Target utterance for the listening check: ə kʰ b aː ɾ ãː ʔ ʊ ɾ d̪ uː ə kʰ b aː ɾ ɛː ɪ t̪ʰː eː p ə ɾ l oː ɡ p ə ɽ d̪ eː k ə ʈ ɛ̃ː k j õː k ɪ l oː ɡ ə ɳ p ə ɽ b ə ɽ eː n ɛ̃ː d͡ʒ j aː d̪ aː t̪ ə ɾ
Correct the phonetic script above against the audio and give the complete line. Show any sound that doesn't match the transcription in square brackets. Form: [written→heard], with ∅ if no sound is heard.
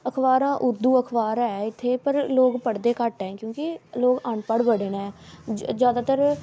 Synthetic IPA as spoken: ə kʰ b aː ɾ ãː ʔ ʊ ɾ d̪ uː ə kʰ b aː ɾ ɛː ɪ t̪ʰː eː p ə ɾ l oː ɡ p ə ɽ d̪ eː k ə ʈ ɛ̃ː k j õː k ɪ l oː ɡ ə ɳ p ə ɽ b ə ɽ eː n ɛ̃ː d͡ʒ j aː d̪ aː t̪ ə ɾ